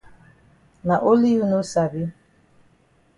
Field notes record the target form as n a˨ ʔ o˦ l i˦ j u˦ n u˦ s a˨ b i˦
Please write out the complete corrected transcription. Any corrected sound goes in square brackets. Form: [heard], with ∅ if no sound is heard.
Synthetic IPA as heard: n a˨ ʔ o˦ l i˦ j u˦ n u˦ s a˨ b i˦